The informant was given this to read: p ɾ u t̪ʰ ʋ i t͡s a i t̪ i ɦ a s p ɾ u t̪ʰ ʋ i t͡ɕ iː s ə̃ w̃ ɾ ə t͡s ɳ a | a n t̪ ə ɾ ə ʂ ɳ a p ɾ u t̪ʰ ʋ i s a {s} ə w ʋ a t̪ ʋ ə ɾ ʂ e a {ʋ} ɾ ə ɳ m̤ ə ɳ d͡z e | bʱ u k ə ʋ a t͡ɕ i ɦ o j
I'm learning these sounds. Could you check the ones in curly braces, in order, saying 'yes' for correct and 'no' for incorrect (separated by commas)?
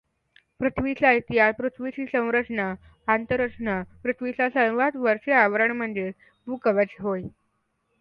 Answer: yes, yes